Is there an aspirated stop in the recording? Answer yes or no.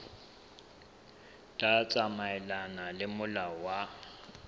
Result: no